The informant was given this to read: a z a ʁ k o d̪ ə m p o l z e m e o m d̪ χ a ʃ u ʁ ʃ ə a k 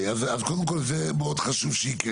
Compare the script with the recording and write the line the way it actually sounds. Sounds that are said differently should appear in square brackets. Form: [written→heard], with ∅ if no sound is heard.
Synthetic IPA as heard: a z a [ʁ→z] k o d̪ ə m [p→k] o l z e m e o [m→∅] d̪ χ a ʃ u [ʁ→v] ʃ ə [a→i] k